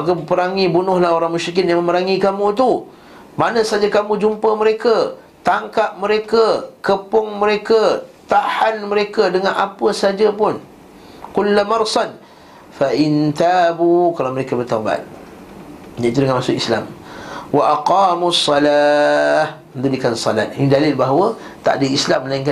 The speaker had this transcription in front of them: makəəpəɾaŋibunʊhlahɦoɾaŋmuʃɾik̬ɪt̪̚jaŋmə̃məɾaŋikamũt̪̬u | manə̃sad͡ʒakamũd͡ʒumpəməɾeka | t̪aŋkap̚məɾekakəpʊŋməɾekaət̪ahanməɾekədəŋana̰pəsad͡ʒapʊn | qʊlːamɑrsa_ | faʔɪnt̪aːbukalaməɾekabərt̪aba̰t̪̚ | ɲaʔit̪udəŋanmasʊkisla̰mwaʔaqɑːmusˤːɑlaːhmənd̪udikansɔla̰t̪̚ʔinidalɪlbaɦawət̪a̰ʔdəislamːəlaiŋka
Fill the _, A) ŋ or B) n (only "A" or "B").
B